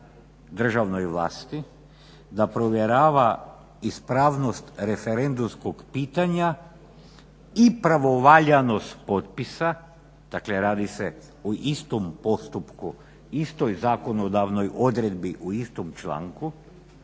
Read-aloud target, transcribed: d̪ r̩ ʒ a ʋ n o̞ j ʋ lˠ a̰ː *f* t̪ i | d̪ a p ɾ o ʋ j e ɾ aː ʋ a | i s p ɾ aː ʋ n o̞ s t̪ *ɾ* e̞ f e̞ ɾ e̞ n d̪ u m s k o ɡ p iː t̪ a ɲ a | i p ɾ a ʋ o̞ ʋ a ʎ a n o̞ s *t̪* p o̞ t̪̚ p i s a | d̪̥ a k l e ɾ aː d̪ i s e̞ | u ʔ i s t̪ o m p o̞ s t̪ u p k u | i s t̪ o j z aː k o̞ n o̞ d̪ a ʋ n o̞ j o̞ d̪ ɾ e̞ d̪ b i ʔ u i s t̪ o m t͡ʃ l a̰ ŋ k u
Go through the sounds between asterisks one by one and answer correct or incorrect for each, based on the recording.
incorrect, correct, correct

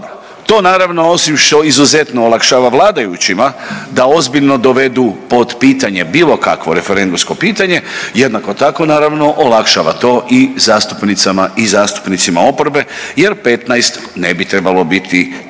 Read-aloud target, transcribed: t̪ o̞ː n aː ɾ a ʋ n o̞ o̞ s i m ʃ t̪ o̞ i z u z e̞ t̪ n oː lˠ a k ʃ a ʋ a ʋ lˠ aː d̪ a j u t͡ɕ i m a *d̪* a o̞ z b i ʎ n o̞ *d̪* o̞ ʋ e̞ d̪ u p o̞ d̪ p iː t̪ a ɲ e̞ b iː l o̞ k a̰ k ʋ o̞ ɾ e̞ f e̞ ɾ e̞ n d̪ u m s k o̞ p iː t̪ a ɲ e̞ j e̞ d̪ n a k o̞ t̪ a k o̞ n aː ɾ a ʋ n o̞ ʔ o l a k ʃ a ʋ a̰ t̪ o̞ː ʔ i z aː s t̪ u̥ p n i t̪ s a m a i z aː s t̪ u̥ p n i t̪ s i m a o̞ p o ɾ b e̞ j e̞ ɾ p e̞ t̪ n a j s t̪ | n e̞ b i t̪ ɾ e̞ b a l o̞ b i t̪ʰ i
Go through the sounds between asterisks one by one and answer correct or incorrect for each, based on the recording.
correct, correct

